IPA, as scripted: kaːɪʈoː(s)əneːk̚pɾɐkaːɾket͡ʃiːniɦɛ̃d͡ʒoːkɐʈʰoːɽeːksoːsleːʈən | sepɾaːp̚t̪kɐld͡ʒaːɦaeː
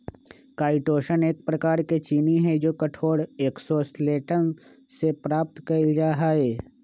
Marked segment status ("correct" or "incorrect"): incorrect